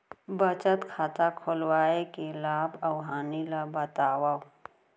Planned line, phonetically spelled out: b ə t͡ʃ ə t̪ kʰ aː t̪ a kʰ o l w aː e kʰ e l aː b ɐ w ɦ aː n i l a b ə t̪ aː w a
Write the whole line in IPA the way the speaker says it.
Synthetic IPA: b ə t͡ʃ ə t̪ kʰ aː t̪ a kʰ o l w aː e k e l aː b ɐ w ɦ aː n i l a b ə t̪ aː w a